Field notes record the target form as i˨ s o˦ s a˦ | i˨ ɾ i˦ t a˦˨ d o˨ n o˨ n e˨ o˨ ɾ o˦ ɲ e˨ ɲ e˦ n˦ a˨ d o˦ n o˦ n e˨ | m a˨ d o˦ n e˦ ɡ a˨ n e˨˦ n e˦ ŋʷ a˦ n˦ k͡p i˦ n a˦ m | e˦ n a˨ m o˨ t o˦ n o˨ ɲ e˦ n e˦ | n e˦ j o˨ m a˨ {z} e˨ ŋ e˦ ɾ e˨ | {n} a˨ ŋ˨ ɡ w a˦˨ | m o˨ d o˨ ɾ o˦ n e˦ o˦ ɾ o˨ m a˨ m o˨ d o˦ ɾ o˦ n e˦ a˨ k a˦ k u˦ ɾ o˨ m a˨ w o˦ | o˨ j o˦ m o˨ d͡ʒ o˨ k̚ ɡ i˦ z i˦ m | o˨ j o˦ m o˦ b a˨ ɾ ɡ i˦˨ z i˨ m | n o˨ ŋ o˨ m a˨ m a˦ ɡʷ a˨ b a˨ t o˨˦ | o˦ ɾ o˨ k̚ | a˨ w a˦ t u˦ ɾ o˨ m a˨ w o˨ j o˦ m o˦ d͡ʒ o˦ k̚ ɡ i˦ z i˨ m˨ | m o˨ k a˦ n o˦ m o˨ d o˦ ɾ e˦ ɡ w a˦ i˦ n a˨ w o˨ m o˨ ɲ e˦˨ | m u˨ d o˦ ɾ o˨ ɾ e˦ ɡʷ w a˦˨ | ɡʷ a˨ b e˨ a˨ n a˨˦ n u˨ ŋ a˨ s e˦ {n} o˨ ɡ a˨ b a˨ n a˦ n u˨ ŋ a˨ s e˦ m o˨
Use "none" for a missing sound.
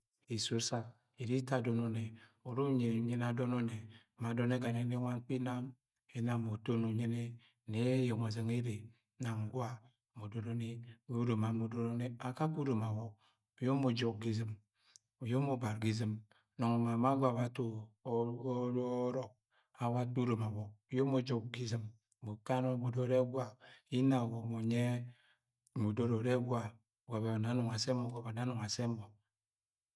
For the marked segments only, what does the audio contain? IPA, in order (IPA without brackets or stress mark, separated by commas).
z, n, m